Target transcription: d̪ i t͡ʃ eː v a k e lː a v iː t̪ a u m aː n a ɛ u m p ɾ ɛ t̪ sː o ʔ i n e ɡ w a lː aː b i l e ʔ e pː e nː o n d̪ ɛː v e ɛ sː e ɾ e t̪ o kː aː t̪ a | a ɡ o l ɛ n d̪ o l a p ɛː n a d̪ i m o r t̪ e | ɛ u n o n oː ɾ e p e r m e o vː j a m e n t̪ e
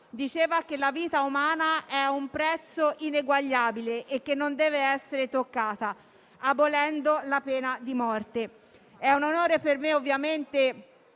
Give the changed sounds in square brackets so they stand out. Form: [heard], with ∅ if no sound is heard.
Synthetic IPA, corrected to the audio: d̪ i t͡ʃ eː v a k e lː a v iː t̪ a u m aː n a ɛ u m p ɾ ɛ t̪ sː o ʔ i n e ɡ w a [ʎː] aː b i l e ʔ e [kː] e nː o n d̪ ɛː v e ɛ sː e ɾ e t̪ o kː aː t̪ a | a [b] o l ɛ n d̪ o l a p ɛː n a d̪ i m [ɔ] r t̪ e | ɛ u n o n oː ɾ e p e r m e o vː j a m e n t̪ e